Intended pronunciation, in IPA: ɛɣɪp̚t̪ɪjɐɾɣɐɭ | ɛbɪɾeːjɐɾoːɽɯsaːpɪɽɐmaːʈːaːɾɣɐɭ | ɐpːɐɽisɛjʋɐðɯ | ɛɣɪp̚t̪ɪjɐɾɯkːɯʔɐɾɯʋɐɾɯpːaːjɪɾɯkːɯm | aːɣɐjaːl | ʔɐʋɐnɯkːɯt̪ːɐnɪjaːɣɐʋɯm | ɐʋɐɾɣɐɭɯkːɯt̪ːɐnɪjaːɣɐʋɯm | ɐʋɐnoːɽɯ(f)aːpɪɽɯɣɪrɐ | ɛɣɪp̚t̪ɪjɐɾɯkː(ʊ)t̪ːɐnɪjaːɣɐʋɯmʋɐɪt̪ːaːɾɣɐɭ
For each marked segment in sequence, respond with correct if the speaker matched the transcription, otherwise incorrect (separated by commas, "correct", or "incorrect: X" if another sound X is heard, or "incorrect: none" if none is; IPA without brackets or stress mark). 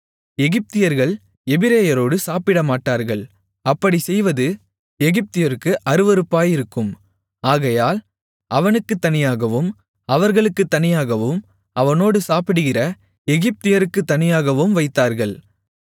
incorrect: s, incorrect: ɯ